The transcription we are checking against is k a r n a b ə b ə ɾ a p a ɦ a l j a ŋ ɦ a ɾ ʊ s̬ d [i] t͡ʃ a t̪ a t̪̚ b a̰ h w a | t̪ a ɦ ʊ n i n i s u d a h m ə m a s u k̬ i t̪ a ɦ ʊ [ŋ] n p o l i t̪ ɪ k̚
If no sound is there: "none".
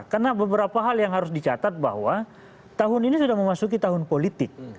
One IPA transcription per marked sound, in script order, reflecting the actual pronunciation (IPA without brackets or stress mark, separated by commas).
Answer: i, none